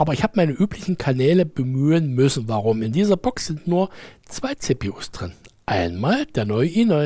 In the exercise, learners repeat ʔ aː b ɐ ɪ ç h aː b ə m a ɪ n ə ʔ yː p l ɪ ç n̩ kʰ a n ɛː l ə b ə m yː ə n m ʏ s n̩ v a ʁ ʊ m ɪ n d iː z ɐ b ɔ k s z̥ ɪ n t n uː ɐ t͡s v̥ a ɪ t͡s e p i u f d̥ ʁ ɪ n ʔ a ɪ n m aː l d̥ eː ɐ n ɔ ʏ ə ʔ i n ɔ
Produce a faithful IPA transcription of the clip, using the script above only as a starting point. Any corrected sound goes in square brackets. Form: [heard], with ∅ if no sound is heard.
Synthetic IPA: ʔ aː b ɐ ɪ ç h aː b ə m a ɪ n ə ʔ yː p l ɪ ç n̩ kʰ a n ɛː l ə b ə m yː ə n m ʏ s n̩ v a ʁ ʊ m ɪ n d iː z ɐ b ɔ k s z̥ ɪ n t n uː ɐ t͡s v̥ a ɪ t͡s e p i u [s] d̥ ʁ ɪ n ʔ a ɪ n m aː l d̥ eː ɐ n ɔ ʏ ə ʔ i n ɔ